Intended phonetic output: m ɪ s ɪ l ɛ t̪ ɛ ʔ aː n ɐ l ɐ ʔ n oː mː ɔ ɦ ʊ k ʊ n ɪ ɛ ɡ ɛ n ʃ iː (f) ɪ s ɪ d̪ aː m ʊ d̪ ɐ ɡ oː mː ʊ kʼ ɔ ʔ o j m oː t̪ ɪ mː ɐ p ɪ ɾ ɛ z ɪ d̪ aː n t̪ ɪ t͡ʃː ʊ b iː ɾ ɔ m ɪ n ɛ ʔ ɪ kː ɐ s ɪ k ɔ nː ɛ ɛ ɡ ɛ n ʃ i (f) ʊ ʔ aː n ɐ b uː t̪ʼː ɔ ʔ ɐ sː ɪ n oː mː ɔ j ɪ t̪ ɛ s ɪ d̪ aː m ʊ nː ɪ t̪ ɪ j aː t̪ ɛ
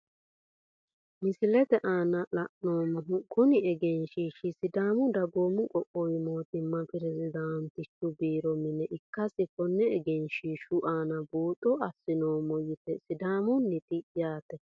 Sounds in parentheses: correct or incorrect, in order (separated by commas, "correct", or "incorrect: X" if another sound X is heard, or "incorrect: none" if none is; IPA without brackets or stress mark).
incorrect: ʃ, incorrect: ʃ